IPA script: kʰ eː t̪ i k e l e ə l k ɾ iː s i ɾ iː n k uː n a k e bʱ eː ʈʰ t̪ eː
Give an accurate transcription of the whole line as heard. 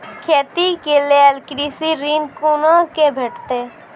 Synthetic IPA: kʰ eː t̪ i k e l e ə l k ɾ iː s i ɾ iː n k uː n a k e bʱ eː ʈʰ t̪ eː